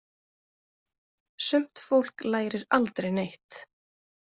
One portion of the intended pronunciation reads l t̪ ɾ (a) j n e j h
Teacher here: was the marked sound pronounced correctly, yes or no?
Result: no